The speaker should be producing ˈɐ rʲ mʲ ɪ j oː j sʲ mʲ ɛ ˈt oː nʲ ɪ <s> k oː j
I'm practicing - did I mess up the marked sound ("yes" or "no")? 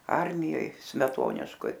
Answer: yes